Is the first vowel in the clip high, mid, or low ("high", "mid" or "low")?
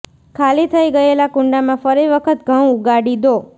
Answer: low